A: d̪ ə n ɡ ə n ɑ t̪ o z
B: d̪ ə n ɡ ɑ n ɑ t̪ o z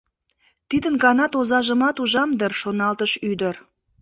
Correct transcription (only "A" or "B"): B